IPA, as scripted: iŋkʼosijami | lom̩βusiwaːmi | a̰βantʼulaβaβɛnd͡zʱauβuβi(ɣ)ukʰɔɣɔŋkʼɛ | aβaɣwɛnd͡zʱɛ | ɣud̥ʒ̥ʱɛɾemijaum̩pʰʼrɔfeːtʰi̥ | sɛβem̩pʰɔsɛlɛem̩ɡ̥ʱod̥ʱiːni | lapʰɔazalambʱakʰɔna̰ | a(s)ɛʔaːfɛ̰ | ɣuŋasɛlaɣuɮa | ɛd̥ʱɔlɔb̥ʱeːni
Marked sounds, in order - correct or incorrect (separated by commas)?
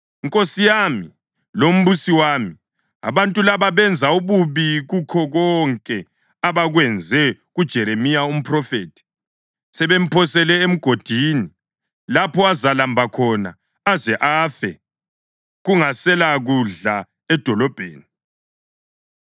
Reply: correct, incorrect